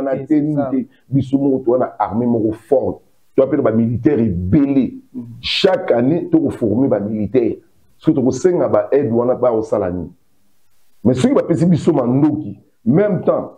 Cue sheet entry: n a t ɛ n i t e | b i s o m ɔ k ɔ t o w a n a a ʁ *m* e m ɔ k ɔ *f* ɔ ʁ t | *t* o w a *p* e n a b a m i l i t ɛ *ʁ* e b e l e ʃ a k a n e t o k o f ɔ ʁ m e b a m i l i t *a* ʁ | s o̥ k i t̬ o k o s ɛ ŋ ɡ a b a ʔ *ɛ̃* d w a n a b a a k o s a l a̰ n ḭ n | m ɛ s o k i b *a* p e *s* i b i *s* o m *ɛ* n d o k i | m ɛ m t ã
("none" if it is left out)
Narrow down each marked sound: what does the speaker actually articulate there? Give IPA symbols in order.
m, f, t, p, ʁ, ɛ, ɛ, a, s, s, a

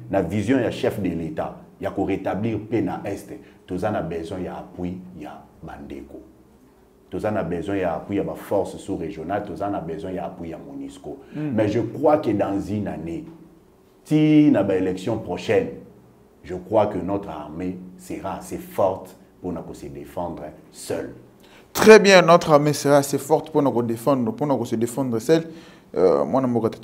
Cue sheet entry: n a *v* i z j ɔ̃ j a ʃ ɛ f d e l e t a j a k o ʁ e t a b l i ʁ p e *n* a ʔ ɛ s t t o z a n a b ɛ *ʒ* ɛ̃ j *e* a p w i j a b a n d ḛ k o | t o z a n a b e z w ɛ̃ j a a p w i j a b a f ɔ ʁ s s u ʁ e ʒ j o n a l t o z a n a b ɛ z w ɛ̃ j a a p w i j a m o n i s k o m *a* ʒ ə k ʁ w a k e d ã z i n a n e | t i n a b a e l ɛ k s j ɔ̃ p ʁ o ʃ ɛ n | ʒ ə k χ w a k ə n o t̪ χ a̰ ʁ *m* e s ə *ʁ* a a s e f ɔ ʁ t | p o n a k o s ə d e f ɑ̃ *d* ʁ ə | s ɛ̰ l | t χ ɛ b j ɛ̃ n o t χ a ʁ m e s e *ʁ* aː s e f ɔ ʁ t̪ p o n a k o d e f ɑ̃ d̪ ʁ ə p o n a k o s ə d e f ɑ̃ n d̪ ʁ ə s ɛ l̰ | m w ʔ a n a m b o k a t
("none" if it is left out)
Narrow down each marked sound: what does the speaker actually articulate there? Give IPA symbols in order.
v, n, z, a, ɛ, m, ʁ, d, ʁ

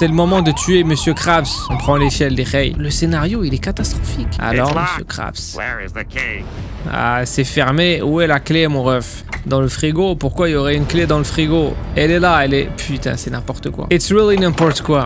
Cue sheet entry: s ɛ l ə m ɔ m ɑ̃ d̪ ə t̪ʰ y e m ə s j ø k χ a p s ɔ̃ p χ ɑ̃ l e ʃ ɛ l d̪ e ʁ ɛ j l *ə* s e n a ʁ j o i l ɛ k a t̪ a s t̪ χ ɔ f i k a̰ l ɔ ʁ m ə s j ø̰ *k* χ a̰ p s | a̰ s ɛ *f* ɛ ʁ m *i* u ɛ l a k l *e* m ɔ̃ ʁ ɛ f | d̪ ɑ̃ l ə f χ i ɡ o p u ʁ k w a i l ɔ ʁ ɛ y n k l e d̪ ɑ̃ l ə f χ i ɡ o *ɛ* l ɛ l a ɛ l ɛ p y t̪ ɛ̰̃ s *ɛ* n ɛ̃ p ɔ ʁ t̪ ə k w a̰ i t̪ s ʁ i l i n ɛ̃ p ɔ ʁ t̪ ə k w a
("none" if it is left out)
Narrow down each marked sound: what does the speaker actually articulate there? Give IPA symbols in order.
ə, k, f, e, e, ɛ, ɛ

